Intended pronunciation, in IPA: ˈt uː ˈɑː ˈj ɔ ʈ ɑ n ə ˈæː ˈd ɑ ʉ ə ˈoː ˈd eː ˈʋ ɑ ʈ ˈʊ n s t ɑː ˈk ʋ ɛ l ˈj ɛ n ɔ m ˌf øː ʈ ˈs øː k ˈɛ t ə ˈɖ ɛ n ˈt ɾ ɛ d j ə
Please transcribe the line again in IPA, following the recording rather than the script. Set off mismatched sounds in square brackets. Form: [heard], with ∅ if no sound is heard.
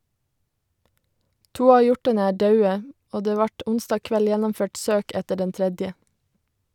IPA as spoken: ˈt uː ˈɑː ˈj ɔ ʈ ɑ n ə ˈæː ˈd ɑ ʉ ə ˈoː ˈd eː ˈʋ ɑ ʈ ˈʊ n s t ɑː ˈk ʋ ɛ l ˈj ɛ n ɔ m ˌf øː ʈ ˈs øː k ˈɛ t ə ˈɖ ɛ n ˈt ɾ ɛ d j ə